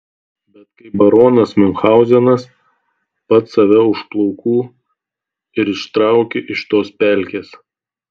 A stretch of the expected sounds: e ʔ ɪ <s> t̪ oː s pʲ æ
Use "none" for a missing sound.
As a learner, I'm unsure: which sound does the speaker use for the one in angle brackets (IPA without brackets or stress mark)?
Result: ʃ